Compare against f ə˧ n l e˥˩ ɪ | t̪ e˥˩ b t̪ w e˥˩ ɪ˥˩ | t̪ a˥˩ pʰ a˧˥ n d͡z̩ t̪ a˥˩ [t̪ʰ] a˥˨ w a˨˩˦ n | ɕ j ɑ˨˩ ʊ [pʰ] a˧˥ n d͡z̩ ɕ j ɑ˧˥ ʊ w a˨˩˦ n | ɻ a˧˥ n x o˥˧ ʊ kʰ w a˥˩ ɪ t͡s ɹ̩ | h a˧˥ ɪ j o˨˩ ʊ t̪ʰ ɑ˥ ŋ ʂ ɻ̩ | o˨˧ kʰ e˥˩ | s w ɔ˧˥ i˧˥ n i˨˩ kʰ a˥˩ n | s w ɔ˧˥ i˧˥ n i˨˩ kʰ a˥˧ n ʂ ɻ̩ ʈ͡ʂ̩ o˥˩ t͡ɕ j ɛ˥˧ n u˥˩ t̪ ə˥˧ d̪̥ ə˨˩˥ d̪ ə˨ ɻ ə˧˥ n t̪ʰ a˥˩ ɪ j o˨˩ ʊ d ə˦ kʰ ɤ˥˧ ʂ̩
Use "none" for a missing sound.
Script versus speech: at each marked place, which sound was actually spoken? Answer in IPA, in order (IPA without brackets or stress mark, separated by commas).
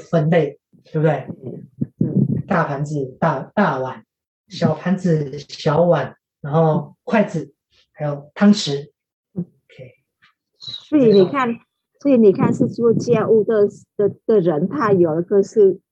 t̪, pʰ